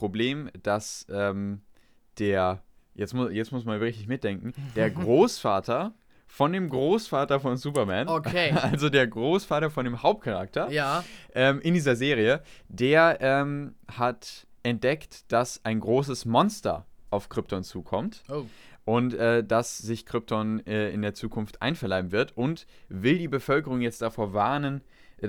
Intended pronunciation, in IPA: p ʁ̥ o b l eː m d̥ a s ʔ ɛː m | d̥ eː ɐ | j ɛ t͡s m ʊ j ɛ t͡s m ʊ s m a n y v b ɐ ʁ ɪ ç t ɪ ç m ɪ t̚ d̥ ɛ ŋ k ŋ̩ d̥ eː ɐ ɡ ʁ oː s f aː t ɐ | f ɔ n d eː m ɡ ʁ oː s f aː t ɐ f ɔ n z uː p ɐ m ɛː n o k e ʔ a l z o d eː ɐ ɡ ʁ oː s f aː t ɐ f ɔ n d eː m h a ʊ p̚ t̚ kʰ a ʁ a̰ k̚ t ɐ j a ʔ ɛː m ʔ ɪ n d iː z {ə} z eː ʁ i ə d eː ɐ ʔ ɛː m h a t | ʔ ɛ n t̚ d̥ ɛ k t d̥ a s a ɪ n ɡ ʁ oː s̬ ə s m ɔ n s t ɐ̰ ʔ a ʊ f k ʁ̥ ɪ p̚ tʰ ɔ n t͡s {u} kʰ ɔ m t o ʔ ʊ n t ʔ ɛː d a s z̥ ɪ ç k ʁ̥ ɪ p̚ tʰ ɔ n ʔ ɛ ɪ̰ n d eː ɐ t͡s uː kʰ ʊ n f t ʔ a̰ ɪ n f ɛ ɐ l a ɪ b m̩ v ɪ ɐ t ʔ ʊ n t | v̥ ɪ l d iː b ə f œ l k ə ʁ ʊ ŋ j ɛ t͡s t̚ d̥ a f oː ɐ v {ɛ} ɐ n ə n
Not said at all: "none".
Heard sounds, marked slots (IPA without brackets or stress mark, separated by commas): ɐ, uː, a